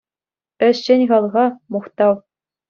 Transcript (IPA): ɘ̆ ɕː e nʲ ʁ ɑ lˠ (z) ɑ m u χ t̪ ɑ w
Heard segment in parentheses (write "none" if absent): ʁ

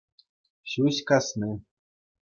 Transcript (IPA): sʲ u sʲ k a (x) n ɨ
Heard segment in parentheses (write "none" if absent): s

